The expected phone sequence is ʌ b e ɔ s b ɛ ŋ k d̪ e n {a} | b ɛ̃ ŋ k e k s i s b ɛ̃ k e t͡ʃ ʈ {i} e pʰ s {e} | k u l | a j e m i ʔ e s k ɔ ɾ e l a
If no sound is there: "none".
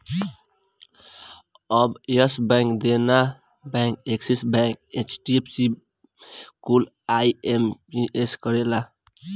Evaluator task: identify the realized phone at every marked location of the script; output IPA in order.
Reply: a, i, i

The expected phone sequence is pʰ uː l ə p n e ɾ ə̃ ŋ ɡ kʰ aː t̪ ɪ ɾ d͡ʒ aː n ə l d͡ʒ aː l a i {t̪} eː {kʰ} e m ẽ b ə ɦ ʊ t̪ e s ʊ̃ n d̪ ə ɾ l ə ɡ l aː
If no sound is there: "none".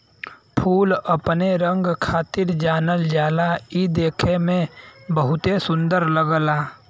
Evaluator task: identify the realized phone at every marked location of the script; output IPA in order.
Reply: d̪, kʰ

